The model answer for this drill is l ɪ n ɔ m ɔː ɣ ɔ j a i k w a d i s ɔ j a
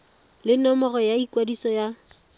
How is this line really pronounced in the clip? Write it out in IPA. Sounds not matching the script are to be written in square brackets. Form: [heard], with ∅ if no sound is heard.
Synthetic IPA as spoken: l ɪ n ɔ m [ɔ] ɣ ɔ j a i k w a d i s ɔ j a